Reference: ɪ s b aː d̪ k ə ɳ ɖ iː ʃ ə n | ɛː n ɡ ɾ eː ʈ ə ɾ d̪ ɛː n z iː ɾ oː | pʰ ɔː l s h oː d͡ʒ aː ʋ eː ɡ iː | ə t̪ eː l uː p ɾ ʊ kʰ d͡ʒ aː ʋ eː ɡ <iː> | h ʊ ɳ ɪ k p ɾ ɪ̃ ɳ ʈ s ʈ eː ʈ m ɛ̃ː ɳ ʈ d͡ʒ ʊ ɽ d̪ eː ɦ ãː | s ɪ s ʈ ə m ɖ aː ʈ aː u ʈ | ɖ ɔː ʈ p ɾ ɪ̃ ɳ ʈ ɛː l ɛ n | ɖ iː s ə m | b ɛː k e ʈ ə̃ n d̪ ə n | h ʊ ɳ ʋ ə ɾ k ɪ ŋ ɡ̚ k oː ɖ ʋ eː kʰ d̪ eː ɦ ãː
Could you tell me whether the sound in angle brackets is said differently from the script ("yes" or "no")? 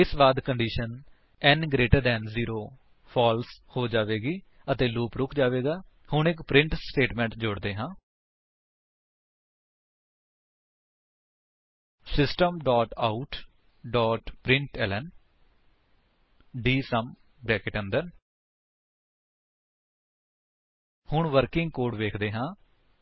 yes